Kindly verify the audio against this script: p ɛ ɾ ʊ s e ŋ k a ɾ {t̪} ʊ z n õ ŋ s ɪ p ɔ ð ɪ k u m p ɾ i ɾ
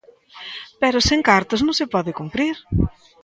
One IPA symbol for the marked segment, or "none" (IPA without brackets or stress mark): t̪